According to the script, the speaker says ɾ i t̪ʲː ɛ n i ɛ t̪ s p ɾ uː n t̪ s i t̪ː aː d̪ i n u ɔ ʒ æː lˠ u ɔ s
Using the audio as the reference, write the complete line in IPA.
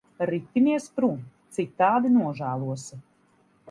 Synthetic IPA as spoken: ɾ i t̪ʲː i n i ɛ s p ɾ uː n t̪ s i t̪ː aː d̪ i n u ɔ ʒ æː lˠ u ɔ s